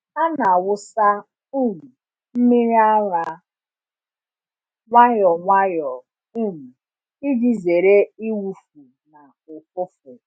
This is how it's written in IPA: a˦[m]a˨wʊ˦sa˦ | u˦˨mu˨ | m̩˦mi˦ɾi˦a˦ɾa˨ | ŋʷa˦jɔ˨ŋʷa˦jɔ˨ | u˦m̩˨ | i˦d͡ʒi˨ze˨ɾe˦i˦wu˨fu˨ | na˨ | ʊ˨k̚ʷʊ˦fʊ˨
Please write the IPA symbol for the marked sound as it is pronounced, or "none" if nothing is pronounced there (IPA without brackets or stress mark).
n